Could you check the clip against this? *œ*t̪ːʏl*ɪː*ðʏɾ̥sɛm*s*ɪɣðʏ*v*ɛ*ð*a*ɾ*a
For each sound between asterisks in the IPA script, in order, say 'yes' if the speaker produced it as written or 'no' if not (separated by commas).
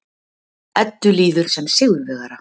no, no, yes, yes, no, yes